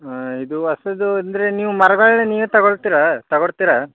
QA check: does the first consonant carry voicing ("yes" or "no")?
yes